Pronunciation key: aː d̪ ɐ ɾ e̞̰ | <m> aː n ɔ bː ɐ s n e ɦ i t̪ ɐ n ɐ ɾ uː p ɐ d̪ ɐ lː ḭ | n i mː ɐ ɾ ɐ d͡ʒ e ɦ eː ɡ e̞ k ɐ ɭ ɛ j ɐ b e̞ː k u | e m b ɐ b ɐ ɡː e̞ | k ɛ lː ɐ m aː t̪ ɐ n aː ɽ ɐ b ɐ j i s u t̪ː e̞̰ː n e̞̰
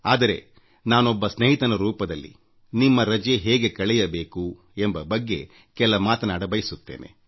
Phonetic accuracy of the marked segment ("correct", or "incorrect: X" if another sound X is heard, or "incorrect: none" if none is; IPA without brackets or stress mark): incorrect: n